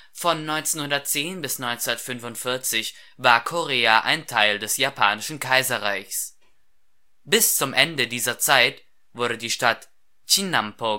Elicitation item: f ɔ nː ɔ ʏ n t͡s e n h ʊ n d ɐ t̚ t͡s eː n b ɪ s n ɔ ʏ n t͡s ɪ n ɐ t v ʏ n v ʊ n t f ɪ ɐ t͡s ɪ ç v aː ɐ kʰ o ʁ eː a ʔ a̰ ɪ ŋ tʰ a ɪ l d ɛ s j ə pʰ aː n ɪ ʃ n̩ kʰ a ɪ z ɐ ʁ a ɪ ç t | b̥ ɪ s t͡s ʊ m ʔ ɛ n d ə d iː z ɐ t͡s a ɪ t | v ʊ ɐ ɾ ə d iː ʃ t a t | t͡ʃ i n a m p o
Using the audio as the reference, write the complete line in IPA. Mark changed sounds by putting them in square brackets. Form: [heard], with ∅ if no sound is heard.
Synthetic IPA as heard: f ɔ nː ɔ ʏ n t͡s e n h ʊ n d ɐ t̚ t͡s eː n b ɪ s n ɔ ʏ n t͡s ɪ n ɐ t [f] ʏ n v ʊ n t f ɪ ɐ t͡s ɪ ç v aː ɐ kʰ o ʁ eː a ʔ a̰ ɪ [n] tʰ a ɪ l d ɛ s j [a] pʰ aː n ɪ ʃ n̩ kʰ a ɪ z ɐ ʁ a ɪ ç [s] | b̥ ɪ s t͡s ʊ m ʔ ɛ n d ə d iː z ɐ t͡s a ɪ t | v ʊ ɐ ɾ ə d iː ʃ t a t | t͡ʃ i n a m p o

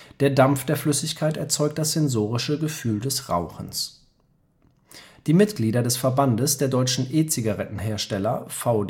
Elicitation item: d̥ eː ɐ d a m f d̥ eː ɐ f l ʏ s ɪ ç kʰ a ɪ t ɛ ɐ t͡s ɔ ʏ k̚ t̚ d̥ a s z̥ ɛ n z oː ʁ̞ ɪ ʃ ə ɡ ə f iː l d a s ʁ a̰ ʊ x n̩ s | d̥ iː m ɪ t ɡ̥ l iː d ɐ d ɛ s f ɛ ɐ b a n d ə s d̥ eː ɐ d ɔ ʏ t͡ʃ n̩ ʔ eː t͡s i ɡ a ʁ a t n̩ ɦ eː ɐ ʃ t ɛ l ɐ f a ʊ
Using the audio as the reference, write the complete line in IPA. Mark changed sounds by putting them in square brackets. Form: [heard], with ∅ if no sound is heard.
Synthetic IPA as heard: d̥ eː ɐ d a m f d̥ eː ɐ f l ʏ s ɪ ç kʰ a ɪ t ɛ ɐ t͡s ɔ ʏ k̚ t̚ d̥ a s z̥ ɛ n z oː ʁ̞ ɪ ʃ ə ɡ ə f [yː] l d [ɛ] s ʁ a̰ ʊ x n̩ s | d̥ iː m ɪ t ɡ̥ l iː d ɐ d ɛ s f ɛ ɐ b a n d ə s d̥ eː ɐ d ɔ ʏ t͡ʃ n̩ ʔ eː t͡s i ɡ a ʁ [ɛ] t n̩ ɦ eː ɐ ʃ t ɛ l ɐ f a ʊ

